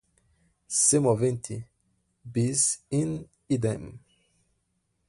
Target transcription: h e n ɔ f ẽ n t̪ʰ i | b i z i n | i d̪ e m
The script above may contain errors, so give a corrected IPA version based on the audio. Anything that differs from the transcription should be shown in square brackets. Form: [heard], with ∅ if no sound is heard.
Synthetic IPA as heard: [s] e [m] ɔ [v] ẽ n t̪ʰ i | b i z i n | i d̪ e m